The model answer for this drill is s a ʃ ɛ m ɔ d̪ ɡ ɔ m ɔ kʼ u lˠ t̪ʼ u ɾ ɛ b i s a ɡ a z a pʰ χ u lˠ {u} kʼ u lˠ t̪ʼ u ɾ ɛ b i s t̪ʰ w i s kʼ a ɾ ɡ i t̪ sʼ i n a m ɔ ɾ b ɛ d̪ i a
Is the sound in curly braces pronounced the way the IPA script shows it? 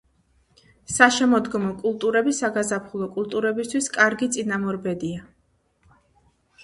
no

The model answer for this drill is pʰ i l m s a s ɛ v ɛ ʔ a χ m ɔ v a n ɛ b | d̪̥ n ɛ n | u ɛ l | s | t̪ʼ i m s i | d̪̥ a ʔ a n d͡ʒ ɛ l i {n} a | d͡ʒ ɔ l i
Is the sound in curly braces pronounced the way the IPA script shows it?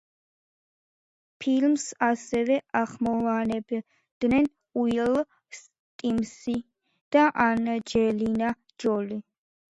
yes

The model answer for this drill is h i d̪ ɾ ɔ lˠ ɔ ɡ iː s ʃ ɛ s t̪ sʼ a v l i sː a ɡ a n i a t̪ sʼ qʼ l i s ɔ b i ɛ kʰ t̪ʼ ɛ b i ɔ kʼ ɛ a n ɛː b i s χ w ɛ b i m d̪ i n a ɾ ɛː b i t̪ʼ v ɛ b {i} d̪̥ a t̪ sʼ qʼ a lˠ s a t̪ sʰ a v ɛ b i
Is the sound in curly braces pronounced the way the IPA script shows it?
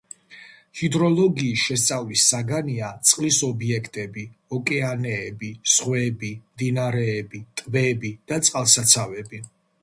yes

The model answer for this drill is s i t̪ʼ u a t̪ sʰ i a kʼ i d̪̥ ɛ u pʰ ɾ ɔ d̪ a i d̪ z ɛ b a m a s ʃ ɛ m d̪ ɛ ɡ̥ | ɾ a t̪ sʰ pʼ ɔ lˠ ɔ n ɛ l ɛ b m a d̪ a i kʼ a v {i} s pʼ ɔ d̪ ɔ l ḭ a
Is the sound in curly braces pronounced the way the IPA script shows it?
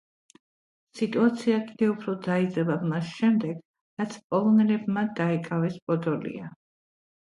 no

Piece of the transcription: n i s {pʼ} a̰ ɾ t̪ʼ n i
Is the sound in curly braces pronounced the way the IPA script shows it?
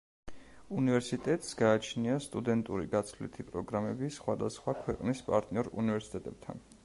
yes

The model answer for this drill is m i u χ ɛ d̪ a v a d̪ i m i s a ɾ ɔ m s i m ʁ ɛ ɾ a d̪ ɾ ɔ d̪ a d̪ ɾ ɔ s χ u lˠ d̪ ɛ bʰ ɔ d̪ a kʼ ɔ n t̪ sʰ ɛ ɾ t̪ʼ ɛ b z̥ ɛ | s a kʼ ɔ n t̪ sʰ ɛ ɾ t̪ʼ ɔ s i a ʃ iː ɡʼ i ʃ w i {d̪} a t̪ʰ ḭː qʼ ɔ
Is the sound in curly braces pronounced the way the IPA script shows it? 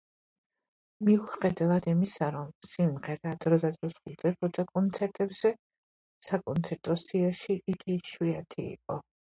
no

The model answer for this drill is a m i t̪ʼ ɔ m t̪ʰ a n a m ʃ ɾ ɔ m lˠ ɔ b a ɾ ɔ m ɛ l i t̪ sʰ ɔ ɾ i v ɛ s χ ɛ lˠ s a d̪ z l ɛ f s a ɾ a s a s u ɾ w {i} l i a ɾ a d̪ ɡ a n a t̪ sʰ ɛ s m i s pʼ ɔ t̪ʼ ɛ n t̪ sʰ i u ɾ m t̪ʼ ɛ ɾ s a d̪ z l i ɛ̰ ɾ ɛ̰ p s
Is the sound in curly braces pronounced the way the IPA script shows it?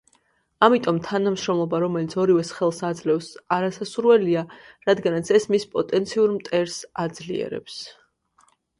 no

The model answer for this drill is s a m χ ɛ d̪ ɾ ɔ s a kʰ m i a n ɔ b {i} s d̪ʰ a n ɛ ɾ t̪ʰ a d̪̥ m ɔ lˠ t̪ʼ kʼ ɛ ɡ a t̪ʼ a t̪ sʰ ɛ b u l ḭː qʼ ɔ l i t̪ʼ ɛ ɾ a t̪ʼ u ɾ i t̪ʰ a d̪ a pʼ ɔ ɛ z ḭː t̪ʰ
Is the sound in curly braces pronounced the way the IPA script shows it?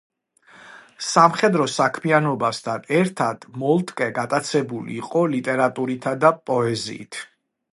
no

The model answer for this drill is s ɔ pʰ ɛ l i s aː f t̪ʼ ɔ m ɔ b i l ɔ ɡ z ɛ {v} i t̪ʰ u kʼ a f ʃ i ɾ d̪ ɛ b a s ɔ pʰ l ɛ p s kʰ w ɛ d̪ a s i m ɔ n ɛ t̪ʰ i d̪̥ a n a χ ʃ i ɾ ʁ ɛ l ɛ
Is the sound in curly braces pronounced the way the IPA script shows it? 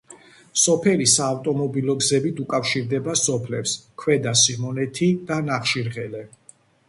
no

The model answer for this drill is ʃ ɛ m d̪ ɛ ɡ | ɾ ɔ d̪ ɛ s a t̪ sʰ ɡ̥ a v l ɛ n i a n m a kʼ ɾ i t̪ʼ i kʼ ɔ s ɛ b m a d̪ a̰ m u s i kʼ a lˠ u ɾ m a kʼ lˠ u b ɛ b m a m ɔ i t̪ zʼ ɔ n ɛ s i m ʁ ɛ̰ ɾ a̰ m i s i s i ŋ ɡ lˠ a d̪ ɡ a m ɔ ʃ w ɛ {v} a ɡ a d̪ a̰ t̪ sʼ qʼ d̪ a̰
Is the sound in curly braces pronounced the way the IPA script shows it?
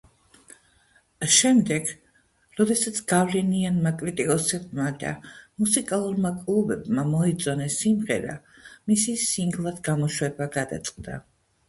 no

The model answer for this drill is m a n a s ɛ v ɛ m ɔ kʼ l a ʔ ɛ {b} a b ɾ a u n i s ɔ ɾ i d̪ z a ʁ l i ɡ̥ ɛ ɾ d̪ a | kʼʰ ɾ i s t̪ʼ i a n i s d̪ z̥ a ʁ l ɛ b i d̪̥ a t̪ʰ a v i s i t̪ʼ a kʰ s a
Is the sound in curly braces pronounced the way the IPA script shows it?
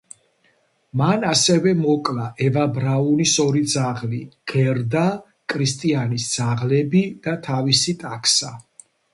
no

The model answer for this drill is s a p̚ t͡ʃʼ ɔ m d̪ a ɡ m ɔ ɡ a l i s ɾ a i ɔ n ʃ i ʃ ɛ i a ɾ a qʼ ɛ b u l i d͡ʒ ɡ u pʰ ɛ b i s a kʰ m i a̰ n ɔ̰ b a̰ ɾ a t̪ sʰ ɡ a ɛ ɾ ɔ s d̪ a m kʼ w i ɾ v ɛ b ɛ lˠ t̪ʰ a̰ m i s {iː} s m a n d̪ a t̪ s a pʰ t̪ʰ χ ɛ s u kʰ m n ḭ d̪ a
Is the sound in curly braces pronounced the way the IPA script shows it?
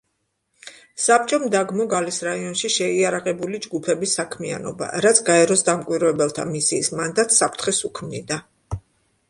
yes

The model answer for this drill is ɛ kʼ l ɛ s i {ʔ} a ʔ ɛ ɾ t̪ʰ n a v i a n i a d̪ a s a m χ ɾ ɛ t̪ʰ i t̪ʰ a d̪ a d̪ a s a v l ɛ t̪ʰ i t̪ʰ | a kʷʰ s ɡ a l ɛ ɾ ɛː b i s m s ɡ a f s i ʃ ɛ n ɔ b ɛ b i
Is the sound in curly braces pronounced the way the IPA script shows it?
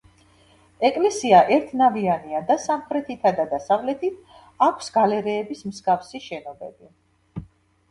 no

